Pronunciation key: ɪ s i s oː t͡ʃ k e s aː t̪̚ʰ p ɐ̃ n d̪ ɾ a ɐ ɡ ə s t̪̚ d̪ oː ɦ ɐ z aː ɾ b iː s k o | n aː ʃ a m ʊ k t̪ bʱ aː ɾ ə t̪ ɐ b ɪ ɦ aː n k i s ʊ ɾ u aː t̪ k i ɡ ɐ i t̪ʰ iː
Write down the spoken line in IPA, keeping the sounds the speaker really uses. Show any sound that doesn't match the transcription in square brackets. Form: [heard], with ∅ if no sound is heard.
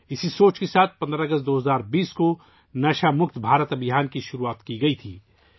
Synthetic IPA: ɪ s i s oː t͡ʃ k e s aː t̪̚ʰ p ɐ̃ n d̪ ɾ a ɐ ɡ ə s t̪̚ d̪ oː ɦ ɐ z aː ɾ b iː s k o | n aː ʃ a m ʊ k t̪ bʱ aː ɾ ə t̪ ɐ b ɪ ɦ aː n k i [ʃ] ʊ ɾ u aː t̪ k i ɡ ɐ i t̪ʰ iː